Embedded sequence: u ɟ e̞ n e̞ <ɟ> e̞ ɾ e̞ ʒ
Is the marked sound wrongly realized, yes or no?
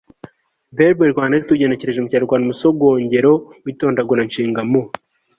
yes